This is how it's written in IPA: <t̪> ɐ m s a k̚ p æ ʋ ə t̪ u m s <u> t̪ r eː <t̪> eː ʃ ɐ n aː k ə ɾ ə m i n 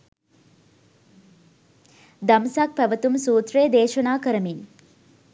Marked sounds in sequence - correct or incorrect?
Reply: incorrect: d̪, incorrect: uː, incorrect: d̪

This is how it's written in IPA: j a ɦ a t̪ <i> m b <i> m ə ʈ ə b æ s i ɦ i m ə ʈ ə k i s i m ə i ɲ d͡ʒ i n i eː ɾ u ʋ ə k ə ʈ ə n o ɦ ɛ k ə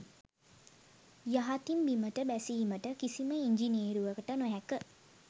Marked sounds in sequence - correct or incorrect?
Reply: correct, correct

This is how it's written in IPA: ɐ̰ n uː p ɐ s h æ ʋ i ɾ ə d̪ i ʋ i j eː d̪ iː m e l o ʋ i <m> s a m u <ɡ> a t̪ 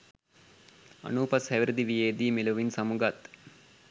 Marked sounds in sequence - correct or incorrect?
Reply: incorrect: n, correct

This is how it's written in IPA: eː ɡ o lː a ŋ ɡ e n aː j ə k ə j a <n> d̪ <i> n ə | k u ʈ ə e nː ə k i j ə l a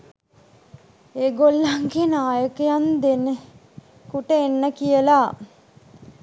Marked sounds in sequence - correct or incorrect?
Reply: correct, incorrect: e

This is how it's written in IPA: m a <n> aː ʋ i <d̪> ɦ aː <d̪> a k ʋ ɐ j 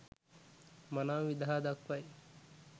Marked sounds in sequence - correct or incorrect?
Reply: correct, correct, correct

